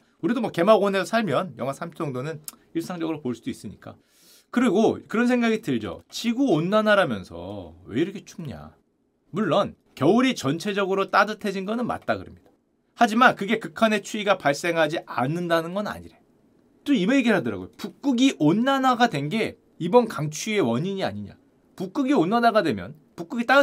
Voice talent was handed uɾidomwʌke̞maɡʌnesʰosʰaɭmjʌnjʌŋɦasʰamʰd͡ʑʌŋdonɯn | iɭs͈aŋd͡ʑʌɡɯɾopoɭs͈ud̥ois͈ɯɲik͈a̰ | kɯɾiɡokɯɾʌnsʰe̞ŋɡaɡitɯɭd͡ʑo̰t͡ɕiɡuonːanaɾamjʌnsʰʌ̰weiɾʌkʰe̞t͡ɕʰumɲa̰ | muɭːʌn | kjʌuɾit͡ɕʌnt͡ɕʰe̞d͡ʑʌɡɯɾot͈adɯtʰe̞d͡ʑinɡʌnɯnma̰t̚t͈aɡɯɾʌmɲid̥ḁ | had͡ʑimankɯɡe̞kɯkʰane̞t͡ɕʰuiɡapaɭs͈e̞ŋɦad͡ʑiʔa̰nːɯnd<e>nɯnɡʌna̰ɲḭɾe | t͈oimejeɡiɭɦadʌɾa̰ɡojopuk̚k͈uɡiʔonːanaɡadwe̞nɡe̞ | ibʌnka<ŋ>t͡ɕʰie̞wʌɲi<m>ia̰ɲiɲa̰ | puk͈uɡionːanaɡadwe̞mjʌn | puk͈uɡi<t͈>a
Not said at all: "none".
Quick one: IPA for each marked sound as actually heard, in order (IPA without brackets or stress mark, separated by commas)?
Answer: a, ŋ, ɲ, t͈